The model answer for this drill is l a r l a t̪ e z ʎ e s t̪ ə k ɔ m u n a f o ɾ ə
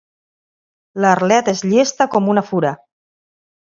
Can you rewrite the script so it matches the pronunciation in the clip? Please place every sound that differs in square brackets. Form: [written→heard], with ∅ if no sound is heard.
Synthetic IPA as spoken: l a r l [a→ɛ] t̪ e z ʎ e s t̪ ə k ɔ m u n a f [o→u] ɾ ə